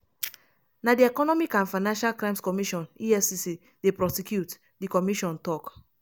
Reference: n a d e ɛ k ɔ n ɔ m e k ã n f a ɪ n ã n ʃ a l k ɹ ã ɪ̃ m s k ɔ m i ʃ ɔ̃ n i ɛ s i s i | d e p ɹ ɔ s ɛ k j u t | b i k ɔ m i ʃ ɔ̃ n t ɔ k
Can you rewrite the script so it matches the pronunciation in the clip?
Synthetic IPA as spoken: n a d i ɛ k ɔ n ɔ m i k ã n f a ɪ n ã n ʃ a l k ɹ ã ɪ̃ m s k ɔ m i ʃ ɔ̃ n i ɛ s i s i | d e p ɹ ɔ s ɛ k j u t | d i k ɔ m i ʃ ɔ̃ n t ɔ k